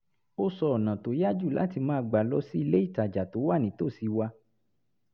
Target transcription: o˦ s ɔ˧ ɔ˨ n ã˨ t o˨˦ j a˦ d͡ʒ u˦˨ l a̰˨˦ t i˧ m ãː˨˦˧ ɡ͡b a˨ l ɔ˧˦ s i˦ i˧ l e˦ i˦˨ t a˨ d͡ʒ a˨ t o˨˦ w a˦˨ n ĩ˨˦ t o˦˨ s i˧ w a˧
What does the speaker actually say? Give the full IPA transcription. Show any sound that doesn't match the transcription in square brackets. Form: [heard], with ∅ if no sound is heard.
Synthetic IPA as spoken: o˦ s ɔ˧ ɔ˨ n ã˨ t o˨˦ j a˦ d͡ʒ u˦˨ l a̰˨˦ t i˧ m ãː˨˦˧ ɡ͡b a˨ l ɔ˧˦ s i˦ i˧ l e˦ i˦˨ t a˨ d͡ʒ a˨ t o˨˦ w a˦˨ n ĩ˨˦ t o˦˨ s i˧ w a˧